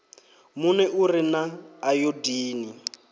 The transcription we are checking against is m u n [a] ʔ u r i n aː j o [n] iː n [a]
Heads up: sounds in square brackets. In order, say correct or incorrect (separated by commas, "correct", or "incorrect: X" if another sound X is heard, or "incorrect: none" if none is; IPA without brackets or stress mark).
incorrect: ɛ, incorrect: d, incorrect: i